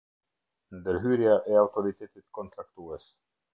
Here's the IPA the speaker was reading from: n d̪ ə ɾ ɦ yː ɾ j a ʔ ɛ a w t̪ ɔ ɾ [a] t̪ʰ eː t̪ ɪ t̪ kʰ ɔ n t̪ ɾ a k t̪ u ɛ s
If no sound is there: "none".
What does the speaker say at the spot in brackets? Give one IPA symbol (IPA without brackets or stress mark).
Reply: i